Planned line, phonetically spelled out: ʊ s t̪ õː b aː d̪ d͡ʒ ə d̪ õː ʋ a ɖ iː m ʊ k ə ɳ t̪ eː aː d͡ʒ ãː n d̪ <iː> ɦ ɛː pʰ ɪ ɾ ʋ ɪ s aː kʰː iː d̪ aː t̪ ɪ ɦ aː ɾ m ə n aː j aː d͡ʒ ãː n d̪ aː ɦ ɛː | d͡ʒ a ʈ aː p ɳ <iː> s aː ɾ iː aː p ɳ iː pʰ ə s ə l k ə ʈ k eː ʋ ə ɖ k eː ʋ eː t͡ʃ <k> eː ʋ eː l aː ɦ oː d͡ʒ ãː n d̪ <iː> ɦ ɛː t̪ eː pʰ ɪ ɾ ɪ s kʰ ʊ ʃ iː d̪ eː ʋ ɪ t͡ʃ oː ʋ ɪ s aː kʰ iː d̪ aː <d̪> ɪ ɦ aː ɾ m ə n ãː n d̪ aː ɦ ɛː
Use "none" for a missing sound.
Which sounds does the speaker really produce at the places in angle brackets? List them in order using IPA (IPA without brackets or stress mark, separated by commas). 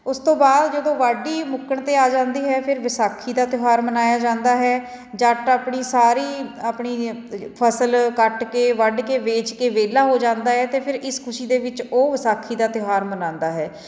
iː, iː, k, aː, t̪